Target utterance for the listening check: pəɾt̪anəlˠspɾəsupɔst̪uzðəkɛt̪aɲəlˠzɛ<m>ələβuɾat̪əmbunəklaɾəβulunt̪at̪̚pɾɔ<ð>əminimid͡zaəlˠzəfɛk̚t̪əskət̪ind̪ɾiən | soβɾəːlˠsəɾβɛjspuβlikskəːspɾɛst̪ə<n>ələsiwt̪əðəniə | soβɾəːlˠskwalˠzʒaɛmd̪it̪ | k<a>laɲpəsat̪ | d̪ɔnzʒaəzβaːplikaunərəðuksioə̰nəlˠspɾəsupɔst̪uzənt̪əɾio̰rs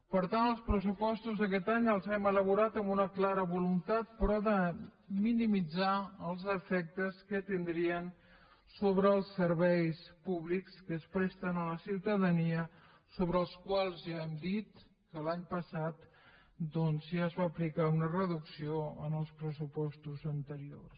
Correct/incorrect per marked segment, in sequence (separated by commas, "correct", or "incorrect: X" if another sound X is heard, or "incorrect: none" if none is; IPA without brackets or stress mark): correct, correct, correct, incorrect: ə